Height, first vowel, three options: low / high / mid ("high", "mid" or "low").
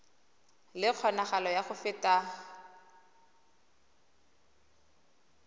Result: high